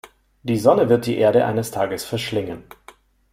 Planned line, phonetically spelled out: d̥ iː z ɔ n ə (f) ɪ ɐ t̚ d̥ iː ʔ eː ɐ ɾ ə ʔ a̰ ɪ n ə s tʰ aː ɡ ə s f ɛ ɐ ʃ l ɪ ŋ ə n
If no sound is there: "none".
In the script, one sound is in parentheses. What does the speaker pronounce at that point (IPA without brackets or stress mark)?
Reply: v